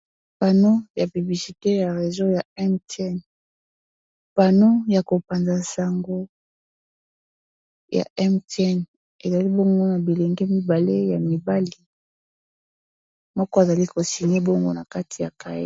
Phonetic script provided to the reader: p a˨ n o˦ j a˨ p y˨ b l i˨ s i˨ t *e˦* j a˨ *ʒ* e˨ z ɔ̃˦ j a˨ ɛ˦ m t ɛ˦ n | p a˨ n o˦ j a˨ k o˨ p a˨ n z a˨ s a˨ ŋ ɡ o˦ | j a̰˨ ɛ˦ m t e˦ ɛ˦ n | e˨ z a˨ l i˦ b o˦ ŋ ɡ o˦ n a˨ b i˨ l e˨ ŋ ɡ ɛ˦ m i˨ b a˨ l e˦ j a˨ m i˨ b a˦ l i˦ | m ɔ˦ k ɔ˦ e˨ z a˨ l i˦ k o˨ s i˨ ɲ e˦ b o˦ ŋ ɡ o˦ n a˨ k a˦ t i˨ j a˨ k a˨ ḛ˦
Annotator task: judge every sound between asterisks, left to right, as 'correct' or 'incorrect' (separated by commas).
correct, incorrect